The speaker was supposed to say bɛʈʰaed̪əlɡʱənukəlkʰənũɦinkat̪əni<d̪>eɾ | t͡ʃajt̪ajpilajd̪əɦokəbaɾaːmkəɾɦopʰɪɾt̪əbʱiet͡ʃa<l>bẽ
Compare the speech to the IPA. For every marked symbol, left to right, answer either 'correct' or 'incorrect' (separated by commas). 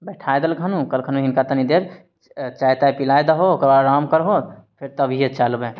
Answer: correct, correct